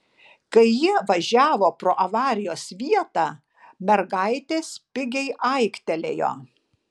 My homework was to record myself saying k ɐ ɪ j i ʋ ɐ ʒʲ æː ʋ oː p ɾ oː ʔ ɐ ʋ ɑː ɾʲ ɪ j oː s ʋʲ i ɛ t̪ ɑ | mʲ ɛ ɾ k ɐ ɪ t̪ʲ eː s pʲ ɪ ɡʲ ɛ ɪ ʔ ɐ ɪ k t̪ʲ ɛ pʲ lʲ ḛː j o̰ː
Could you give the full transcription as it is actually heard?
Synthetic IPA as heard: k ɐ ɪ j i ʋ ɐ ʒʲ æː ʋ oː p ɾ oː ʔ ɐ ʋ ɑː ɾʲ ɪ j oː s ʋʲ i ɛ t̪ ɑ | mʲ ɛ ɾ ɡ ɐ ɪ t̪ʲ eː s pʲ ɪ ɡʲ ɛ ɪ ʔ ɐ ɪ k t̪ʲ ɛ lʲ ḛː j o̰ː